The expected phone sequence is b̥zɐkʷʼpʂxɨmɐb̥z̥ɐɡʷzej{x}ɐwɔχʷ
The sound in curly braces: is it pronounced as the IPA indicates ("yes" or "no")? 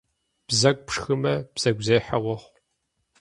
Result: no